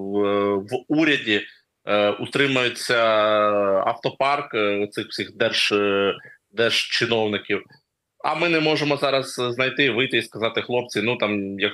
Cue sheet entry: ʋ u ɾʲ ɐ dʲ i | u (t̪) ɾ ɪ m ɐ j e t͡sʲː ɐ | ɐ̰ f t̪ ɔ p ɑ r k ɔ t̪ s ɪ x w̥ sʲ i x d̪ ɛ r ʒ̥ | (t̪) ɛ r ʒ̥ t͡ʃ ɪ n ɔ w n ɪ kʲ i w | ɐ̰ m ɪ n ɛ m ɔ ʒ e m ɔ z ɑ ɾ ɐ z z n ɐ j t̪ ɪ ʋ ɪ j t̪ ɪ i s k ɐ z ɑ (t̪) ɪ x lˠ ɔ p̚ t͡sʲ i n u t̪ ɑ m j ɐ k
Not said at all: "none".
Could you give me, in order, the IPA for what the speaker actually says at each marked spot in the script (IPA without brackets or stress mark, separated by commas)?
t̪, d̪, t̪